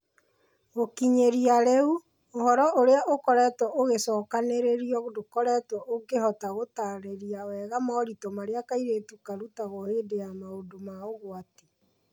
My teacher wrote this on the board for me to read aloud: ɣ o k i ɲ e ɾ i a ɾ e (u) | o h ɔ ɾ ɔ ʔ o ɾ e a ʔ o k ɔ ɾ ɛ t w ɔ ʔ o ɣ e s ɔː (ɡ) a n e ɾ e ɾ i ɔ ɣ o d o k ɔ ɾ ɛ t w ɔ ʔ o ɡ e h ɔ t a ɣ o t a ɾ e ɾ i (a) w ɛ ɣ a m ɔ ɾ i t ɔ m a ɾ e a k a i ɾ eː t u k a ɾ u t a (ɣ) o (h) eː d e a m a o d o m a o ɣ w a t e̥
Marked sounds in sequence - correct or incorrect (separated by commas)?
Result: correct, incorrect, correct, correct, correct